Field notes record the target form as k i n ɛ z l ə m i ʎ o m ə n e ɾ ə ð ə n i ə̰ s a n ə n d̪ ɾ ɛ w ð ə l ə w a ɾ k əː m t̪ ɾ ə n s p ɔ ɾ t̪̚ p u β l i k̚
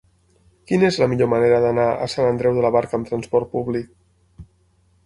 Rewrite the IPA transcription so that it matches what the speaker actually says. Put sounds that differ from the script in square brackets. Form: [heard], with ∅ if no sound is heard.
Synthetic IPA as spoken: k i n [e] z l ə m i ʎ o m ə n e ɾ ə ð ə n [a] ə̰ s a n ə n d̪ ɾ ɛ w ð ə l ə [β] a ɾ k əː m t̪ ɾ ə n s p ɔ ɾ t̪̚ p u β l i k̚